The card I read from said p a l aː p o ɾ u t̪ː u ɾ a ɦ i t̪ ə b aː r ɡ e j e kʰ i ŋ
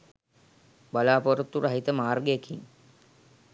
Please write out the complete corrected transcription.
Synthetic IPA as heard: b a l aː p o ɾ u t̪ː u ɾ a ɦ i t̪ ə m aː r ɡ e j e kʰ i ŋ